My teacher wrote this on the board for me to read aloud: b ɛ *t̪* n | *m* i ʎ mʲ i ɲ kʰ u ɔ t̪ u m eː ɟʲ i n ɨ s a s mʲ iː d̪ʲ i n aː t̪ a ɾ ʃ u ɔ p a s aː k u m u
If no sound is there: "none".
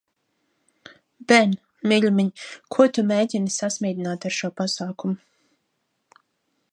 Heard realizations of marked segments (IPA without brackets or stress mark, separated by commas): none, m